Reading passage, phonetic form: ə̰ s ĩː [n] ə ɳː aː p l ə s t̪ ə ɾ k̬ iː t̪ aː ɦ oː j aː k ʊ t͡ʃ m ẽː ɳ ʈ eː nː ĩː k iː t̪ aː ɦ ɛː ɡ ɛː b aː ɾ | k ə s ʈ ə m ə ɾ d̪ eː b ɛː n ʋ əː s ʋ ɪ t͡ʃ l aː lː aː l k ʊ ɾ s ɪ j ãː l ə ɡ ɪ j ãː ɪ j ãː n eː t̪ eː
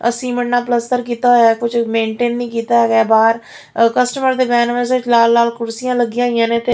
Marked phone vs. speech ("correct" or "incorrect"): incorrect